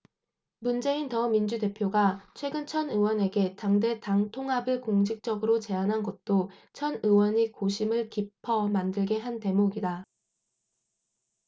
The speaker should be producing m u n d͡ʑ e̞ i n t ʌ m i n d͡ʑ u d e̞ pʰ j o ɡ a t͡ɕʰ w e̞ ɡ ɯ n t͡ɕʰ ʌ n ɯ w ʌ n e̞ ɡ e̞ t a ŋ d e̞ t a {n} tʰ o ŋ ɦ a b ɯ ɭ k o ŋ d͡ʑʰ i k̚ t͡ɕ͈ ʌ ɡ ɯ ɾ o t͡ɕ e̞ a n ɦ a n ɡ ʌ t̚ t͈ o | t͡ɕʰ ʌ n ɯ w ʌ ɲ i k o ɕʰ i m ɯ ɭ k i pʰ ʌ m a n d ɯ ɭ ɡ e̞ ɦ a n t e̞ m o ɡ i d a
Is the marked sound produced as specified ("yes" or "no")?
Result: no